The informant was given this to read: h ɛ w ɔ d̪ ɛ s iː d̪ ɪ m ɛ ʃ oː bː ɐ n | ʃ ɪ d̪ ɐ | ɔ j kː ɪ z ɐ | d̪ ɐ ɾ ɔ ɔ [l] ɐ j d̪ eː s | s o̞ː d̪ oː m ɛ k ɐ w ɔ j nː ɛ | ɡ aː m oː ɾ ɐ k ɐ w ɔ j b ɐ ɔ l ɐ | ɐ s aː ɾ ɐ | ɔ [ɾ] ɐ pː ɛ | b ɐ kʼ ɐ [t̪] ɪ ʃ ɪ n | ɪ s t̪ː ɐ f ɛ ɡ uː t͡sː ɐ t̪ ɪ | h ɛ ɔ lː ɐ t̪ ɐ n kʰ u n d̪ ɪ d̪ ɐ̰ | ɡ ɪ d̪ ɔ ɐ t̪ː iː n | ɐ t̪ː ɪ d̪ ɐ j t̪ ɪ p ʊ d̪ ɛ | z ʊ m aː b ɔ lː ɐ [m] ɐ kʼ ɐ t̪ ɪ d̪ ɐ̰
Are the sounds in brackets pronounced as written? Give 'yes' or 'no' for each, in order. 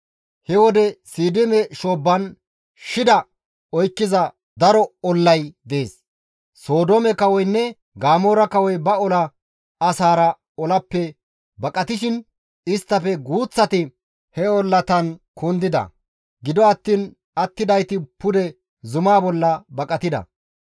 no, no, yes, no

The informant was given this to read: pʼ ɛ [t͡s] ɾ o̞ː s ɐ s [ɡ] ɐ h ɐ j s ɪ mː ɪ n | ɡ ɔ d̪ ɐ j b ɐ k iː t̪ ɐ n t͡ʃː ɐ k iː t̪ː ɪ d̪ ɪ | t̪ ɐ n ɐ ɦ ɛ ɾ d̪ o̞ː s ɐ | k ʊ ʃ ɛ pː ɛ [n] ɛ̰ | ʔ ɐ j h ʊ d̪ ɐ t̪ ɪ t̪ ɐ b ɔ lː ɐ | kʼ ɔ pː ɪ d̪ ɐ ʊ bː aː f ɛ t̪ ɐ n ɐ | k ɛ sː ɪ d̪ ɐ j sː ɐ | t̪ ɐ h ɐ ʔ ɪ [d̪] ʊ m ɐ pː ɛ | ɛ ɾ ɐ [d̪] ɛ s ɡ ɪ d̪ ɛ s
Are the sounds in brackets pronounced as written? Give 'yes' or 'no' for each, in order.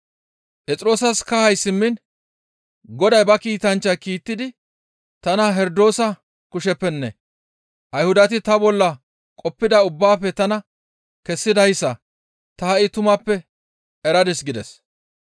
no, no, no, no, yes

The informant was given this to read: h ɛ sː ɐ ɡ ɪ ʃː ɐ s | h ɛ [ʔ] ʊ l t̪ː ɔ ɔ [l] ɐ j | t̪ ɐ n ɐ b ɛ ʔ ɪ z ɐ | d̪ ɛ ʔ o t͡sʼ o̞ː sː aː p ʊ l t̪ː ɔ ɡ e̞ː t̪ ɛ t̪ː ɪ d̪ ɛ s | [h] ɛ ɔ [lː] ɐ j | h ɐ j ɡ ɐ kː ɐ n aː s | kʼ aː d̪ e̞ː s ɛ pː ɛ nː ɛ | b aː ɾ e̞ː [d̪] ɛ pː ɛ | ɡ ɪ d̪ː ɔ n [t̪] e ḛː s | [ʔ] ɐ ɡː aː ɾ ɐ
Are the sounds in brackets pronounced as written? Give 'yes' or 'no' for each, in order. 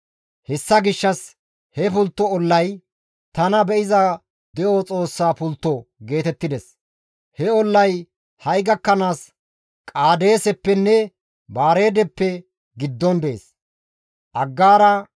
no, no, yes, yes, yes, no, yes

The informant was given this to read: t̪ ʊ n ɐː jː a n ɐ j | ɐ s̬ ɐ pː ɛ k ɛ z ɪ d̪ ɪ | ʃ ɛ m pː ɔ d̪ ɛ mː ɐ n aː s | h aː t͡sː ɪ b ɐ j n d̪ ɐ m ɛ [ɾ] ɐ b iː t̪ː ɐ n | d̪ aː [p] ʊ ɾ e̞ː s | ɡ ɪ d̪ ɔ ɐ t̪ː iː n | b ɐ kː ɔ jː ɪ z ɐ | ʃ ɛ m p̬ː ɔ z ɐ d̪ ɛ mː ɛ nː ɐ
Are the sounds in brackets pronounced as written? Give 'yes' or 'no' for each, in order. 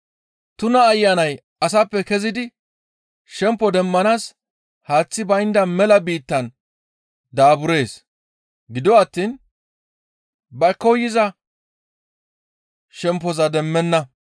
no, no

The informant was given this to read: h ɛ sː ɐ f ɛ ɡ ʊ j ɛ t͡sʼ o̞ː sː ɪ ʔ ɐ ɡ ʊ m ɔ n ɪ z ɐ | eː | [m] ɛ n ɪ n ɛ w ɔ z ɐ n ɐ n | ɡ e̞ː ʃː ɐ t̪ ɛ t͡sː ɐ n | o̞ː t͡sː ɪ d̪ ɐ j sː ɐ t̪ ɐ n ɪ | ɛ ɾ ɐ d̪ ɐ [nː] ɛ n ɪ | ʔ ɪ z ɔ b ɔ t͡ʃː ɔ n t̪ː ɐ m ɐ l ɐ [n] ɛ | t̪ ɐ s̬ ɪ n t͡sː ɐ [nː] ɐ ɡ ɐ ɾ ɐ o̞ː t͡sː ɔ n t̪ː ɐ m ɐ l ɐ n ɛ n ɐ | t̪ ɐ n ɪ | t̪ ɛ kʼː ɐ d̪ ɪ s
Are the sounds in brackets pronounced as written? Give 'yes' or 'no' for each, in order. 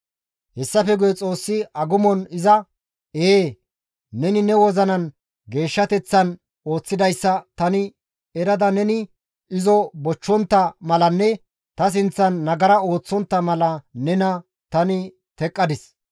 no, no, no, yes

